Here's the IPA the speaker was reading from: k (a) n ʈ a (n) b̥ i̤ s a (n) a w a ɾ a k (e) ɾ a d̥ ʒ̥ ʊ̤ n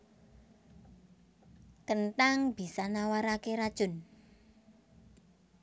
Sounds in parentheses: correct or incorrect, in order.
incorrect: ə, incorrect: ŋ, correct, correct

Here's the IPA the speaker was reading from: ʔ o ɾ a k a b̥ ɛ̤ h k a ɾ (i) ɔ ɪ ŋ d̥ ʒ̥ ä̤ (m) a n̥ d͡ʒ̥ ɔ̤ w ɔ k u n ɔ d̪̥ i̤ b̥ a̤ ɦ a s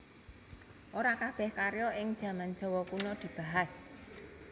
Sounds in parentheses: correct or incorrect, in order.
incorrect: j, correct

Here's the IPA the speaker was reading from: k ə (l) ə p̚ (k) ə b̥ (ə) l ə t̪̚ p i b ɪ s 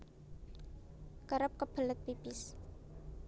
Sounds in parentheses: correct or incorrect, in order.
incorrect: ɾ, correct, correct

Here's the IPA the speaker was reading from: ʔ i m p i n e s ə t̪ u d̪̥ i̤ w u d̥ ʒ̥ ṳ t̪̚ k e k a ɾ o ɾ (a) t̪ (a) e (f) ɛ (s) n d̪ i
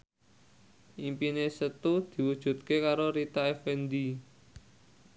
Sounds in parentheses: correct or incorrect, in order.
incorrect: i, correct, correct, incorrect: none

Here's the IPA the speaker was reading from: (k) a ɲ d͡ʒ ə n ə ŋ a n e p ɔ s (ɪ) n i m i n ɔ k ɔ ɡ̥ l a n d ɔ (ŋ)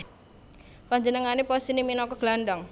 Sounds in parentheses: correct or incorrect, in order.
incorrect: p, incorrect: i, correct

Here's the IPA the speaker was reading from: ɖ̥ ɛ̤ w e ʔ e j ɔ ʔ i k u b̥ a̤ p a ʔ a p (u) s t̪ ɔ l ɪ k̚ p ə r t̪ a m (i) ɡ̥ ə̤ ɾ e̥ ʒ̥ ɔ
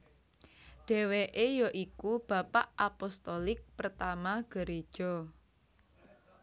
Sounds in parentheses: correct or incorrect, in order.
incorrect: ɔ, incorrect: a

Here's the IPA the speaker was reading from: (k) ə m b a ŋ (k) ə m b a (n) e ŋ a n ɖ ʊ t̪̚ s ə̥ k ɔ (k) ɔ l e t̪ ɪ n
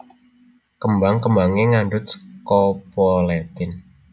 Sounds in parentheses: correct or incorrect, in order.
correct, correct, incorrect: ŋ, incorrect: p

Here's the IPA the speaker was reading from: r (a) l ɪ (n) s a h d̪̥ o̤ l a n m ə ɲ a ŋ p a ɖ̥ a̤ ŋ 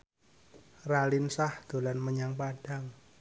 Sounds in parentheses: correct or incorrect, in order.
correct, correct

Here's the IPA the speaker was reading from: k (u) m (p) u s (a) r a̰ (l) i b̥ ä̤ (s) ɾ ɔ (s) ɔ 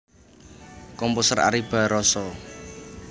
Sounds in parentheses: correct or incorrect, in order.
incorrect: ɔ, correct, incorrect: ə, incorrect: ɾ, incorrect: none, correct

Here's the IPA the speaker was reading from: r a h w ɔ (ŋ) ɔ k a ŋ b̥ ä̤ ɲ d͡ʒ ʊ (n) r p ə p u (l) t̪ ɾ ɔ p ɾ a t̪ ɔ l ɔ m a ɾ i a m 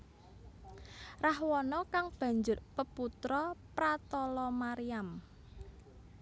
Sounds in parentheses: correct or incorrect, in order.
incorrect: n, incorrect: none, incorrect: none

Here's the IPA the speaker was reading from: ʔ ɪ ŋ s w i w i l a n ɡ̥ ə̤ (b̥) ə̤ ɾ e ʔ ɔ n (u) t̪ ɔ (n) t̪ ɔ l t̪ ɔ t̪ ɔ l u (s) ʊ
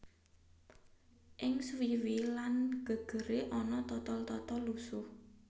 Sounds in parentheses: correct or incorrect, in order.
incorrect: ɡ̥, incorrect: ɔ, incorrect: none, correct

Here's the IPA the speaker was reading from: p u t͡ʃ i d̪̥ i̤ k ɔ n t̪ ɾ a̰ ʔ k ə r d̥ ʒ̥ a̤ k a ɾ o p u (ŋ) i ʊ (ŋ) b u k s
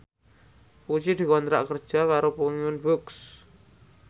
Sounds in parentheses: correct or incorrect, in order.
correct, incorrect: n

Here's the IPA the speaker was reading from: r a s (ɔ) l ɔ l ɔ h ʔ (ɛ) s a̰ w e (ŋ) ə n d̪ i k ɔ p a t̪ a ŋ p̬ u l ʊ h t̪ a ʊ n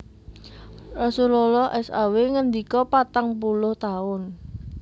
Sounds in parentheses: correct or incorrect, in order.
incorrect: u, correct, correct

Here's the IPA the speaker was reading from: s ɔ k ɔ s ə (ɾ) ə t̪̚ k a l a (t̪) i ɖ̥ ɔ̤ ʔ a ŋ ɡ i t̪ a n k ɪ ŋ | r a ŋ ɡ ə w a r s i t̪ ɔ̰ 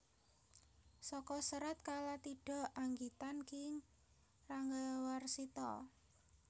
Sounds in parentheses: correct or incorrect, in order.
correct, correct

